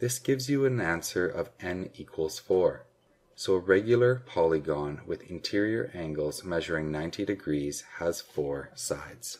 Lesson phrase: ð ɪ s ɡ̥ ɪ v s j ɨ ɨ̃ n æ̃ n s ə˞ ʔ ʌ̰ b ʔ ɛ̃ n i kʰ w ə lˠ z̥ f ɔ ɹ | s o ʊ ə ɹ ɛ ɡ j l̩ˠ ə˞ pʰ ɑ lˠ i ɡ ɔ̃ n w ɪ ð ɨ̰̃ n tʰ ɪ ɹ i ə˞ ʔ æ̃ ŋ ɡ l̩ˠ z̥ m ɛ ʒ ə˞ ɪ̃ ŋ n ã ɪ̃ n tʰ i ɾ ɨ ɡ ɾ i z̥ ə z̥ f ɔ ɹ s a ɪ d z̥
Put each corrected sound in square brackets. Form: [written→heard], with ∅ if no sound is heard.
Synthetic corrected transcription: ð ɪ s ɡ̥ ɪ v [s→z] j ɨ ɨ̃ n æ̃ n s ə˞ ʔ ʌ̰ [b→v] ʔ ɛ̃ n i kʰ w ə lˠ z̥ f ɔ ɹ | s o ʊ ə ɹ ɛ ɡ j l̩ˠ ə˞ pʰ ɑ lˠ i ɡ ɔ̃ n w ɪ ð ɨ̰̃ n tʰ ɪ ɹ i ə˞ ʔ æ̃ ŋ ɡ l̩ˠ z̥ m ɛ ʒ ə˞ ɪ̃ ŋ n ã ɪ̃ n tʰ i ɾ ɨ ɡ [ɾ→ɹ] i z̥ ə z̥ f ɔ ɹ s a ɪ d z̥